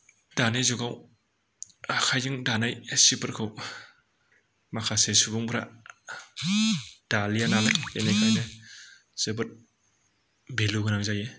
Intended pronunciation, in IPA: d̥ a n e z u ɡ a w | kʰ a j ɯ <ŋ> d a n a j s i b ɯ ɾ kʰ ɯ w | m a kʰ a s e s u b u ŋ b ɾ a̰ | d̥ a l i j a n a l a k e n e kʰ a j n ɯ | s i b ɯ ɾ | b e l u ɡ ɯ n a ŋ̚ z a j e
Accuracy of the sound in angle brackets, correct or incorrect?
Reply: correct